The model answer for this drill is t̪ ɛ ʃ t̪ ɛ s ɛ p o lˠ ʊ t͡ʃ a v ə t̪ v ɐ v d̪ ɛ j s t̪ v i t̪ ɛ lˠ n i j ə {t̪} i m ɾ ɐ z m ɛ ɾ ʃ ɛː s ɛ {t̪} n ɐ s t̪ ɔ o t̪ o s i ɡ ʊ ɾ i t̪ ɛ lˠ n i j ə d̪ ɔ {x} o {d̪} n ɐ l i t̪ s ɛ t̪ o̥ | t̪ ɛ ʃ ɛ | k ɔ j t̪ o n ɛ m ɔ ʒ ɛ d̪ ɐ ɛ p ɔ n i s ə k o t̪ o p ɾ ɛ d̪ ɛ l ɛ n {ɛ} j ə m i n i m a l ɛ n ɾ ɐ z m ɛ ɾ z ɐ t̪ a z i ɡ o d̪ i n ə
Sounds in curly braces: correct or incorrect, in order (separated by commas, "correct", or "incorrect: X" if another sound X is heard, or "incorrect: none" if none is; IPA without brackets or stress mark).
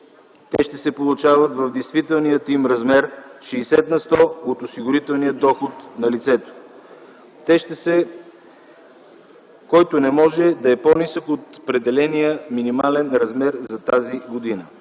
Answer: correct, correct, correct, incorrect: t̪, incorrect: i